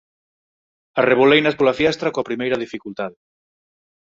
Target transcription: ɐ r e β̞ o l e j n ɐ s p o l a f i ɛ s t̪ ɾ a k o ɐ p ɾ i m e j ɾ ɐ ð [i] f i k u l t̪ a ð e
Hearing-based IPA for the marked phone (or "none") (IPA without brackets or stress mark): i